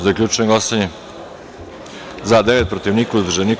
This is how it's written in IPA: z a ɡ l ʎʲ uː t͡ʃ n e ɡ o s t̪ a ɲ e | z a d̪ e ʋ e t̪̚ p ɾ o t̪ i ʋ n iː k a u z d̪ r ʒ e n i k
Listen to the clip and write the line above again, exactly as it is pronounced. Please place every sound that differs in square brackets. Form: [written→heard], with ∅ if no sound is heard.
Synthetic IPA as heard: z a [ɡ→k] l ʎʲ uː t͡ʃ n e ɡ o s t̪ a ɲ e | z a d̪ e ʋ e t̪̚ p ɾ o t̪ i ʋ n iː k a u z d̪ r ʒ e n i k